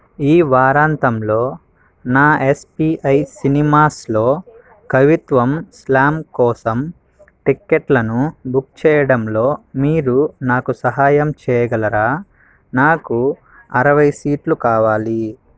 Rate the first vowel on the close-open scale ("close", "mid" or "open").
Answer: close